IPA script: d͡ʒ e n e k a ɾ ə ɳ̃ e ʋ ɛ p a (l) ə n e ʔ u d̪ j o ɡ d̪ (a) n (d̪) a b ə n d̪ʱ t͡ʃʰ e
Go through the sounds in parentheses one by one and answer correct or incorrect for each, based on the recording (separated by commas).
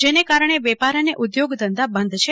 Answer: incorrect, incorrect, correct